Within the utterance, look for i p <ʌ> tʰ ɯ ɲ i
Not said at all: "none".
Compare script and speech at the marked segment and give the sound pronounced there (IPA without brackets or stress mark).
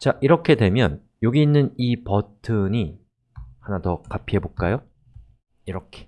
ʌ